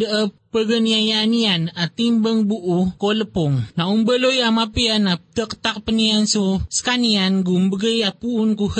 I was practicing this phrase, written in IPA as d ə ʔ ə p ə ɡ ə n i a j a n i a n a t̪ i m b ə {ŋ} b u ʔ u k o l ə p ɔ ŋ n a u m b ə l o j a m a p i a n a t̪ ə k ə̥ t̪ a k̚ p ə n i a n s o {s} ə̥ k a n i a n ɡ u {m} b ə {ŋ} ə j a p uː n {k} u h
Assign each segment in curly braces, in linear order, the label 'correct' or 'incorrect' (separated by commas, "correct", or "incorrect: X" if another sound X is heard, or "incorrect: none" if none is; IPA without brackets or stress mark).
correct, correct, correct, incorrect: ɡ, correct